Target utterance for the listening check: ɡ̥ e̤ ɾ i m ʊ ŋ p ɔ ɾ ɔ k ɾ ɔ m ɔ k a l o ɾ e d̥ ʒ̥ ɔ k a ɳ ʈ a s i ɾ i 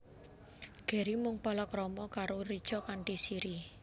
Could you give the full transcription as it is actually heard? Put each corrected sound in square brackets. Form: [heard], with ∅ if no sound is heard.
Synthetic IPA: ɡ̥ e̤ ɾ i m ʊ ŋ p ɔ [l] ɔ k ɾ ɔ m ɔ k a [ɾ] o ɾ [i] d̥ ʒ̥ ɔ k a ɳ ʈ [i] s i ɾ i